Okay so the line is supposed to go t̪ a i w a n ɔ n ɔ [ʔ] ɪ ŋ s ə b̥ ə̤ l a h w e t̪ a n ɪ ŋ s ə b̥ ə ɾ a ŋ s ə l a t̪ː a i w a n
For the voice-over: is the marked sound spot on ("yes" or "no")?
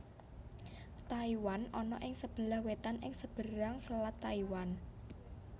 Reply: yes